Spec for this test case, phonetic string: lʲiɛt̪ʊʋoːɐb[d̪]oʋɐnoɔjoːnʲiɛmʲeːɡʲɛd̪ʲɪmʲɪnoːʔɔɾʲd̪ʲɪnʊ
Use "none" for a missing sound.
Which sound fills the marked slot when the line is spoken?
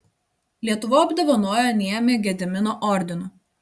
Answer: d̪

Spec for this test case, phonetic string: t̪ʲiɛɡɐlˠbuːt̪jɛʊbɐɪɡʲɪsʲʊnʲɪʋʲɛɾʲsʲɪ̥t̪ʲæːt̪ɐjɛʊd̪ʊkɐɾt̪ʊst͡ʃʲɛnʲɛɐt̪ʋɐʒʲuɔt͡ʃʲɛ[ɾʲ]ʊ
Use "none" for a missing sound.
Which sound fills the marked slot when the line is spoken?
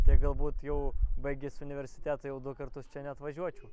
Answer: none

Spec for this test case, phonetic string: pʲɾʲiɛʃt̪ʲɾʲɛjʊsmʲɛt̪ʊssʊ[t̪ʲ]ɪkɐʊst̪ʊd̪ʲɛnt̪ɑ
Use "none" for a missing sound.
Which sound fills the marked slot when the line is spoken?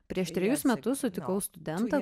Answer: t̪ʲ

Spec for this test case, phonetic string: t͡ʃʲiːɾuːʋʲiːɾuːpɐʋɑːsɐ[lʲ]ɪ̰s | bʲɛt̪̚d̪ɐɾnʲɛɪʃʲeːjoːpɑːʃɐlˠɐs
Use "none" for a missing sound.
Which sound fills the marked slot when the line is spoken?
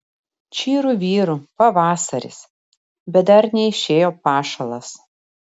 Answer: ɾʲ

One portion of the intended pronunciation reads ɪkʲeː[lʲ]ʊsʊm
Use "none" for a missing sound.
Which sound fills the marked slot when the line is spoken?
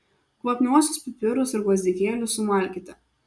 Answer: lʲ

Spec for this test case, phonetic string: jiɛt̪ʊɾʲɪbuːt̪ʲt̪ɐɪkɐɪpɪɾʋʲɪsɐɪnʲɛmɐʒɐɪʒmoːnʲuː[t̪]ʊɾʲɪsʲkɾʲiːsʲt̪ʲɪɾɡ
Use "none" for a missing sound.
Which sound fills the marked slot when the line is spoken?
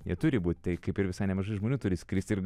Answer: t̪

